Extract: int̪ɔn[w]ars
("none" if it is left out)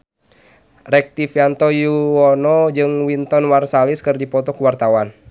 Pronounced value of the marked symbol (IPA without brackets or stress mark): w